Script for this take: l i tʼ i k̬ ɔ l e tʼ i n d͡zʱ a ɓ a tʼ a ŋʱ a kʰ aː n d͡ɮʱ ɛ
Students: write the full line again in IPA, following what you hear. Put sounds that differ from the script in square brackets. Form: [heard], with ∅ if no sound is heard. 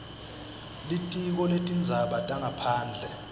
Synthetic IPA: l i tʼ i k̬ ɔ l e tʼ i n d͡zʱ a ɓ a tʼ a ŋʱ a [pʰ] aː n d͡ɮʱ ɛ